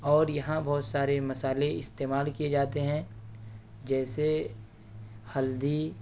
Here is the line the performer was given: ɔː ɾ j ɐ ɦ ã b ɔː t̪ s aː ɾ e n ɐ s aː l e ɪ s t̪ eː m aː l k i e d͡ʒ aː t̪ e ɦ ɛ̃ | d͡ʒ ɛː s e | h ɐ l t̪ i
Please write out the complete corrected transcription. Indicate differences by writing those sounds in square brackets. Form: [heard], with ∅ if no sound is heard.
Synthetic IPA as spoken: ɔː ɾ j ɐ ɦ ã b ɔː t̪ s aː ɾ e [m] ɐ s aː l e ɪ s t̪ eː m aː l k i e d͡ʒ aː t̪ e ɦ ɛ̃ | d͡ʒ ɛː s e | h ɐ l [d̪] i

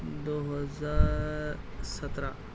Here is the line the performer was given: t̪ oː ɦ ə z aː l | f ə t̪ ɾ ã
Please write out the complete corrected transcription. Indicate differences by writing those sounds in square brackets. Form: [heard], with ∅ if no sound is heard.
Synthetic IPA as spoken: [d̪] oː ɦ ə z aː [ɾ] | [s] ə t̪ ɾ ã

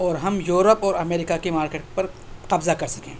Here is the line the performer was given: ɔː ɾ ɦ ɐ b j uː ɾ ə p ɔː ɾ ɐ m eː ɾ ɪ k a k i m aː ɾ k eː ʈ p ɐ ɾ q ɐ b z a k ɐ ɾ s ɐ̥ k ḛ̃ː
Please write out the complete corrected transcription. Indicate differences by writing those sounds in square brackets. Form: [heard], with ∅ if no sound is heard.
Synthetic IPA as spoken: ɔː ɾ ɦ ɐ [m] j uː ɾ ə p ɔː ɾ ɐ m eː ɾ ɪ k a k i m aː ɾ k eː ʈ p ɐ ɾ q ɐ b z a k ɐ ɾ s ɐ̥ k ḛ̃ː

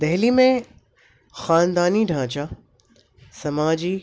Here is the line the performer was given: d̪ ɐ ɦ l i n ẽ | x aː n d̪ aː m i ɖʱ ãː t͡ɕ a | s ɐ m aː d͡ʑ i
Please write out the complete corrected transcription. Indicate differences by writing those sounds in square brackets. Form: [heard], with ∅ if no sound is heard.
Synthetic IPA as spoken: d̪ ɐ ɦ l i [m] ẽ | x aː n d̪ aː [n] i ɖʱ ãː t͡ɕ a | s ɐ m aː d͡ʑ i

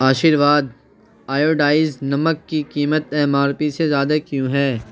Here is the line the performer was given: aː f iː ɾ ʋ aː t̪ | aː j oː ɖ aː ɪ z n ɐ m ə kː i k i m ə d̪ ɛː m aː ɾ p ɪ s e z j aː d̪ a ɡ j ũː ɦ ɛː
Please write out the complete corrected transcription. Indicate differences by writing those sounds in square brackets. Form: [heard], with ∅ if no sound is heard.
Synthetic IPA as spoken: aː [ʃ] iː ɾ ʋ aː [d̪] | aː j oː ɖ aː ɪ z n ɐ m ə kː i k [iː] m ə [t̪] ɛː m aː ɾ p [i] s e z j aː d̪ a [k] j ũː ɦ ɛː

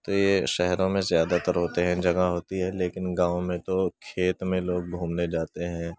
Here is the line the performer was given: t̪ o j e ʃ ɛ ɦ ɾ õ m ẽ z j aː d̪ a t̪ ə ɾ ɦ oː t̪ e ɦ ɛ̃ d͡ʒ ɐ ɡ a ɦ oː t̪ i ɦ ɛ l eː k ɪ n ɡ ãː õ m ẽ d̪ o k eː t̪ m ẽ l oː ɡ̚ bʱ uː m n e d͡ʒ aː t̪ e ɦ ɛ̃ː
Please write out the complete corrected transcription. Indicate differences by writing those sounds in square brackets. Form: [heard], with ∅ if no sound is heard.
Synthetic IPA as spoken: t̪ o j e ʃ ɛ ɦ ɾ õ m ẽ z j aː d̪ a t̪ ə ɾ ɦ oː t̪ e ɦ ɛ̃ d͡ʒ ɐ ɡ a ɦ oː t̪ i ɦ ɛ l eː k ɪ n ɡ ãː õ m ẽ [t̪] o [kʰ] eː t̪ m ẽ l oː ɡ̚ bʱ uː m n e d͡ʒ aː t̪ e ɦ ɛ̃ː

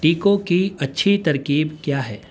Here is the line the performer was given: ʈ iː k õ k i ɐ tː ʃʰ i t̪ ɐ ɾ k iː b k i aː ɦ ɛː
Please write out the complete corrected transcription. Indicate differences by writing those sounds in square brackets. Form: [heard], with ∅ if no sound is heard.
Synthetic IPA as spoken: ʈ iː k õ k i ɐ tː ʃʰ i t̪ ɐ ɾ k iː b k [j] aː ɦ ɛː

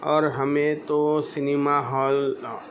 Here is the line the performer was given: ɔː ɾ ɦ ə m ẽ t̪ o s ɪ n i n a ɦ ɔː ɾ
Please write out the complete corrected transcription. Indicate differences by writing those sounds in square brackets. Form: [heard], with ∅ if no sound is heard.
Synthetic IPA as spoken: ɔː ɾ ɦ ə m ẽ t̪ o s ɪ n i [m] a ɦ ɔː [l]

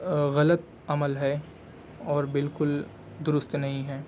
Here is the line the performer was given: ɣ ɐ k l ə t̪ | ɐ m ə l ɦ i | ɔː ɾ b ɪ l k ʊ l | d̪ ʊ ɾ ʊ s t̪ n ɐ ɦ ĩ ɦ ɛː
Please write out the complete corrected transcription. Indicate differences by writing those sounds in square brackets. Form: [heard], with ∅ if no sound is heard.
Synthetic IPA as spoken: ɣ ɐ [∅] l ə t̪ | ɐ m ə l ɦ [ɛ] | ɔː ɾ b ɪ l k ʊ l | d̪ ʊ ɾ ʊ s t̪ n ɐ ɦ ĩ ɦ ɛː

